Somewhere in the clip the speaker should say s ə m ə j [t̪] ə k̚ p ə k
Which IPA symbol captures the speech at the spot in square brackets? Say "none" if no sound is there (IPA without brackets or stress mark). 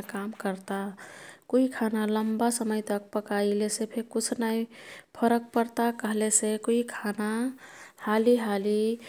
t̪